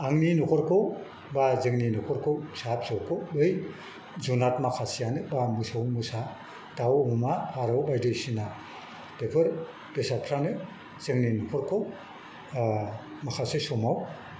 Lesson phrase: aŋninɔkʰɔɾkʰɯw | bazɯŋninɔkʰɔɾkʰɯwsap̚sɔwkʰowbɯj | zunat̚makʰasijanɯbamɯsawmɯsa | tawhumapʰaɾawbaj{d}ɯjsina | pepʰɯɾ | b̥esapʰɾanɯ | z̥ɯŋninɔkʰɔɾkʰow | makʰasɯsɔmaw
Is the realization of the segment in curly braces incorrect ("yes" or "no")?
no